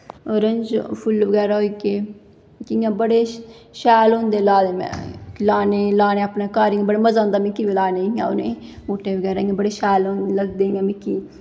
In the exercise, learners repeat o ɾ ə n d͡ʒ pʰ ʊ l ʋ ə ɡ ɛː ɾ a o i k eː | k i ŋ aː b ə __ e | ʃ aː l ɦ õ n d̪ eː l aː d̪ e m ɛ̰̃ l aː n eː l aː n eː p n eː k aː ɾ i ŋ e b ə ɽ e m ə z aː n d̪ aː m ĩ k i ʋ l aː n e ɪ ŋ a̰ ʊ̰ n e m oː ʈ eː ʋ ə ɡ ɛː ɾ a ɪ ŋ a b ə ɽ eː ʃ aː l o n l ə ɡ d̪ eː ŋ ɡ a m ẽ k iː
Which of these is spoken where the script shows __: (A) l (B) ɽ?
B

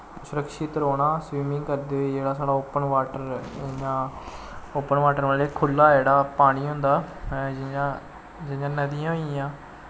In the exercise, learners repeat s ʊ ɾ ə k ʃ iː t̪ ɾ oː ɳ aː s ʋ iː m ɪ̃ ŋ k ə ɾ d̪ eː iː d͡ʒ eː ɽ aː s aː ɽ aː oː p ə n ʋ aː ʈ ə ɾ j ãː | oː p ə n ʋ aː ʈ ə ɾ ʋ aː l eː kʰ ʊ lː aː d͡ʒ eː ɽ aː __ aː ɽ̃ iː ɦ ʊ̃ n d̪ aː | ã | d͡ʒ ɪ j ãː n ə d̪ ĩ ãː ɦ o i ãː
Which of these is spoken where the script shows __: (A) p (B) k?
A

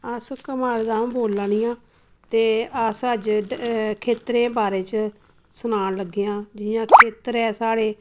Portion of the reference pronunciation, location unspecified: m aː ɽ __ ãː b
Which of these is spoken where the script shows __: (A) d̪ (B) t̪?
A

